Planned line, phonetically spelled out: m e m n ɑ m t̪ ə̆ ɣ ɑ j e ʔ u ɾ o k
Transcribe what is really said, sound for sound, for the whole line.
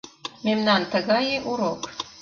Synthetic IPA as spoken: m e m n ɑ n t̪ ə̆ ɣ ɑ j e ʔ u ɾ o k